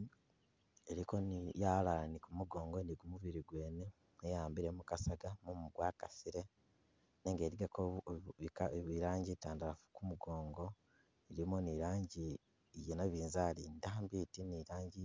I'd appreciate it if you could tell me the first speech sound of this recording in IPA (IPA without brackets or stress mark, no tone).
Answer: e